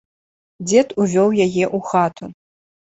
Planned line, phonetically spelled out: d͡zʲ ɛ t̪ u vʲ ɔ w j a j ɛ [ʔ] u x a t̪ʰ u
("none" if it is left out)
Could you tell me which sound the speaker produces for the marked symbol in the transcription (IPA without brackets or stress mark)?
ʔ